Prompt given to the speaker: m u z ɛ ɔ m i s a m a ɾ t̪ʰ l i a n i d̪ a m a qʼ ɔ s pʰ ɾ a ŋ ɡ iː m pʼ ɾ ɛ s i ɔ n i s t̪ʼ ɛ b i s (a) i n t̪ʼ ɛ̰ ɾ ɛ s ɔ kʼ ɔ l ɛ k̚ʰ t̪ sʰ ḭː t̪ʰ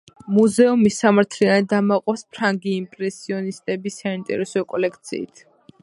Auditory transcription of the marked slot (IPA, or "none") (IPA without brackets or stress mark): a